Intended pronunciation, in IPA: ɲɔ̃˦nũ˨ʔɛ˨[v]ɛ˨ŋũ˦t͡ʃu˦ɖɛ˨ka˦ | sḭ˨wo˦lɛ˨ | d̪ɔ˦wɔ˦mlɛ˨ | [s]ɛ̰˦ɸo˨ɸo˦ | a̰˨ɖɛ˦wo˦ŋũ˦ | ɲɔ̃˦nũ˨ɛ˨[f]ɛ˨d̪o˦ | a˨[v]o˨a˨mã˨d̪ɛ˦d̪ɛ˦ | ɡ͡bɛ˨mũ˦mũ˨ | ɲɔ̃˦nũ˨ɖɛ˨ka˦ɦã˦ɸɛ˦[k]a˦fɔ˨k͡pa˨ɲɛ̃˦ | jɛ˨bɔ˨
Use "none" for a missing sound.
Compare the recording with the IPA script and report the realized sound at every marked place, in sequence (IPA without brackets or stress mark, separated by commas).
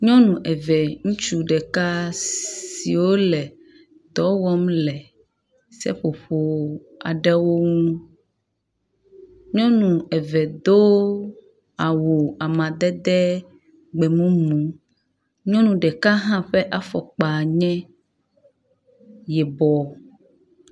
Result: v, s, v, w, ʔ